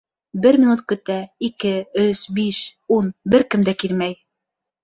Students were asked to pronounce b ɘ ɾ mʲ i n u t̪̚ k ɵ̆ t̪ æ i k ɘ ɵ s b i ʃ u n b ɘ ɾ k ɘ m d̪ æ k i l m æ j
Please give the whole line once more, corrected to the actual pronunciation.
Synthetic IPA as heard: b ɘ ɾ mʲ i n u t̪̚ k ɵ̆ t̪ æ i k ɘ ɵ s b i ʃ u n b ɘ ɾ k ɘ m d̪ æ k i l m æ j